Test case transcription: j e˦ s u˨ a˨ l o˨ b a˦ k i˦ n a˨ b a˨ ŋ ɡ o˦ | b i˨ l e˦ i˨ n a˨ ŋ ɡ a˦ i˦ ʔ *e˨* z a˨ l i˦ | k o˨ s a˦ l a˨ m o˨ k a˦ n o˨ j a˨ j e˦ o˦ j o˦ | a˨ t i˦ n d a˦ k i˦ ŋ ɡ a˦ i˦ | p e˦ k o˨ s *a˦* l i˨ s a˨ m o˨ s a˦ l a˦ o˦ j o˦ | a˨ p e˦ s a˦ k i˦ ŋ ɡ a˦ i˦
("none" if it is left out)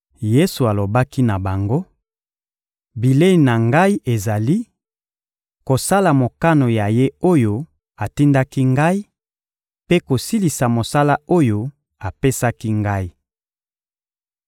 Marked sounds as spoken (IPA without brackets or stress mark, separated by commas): e˨, i˦